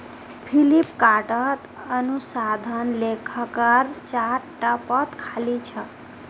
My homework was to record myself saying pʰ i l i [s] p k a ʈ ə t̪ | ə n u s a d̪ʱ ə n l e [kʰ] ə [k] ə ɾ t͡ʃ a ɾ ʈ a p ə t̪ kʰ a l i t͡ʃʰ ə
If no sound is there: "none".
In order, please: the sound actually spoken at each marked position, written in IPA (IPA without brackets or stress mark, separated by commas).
none, kʰ, k